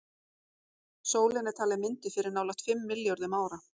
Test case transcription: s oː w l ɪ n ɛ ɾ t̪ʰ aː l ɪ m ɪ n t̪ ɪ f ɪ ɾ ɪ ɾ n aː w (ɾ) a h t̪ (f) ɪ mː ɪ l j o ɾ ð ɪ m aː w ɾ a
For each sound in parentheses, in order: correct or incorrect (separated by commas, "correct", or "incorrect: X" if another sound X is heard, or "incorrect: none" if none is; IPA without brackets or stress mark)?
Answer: incorrect: l, correct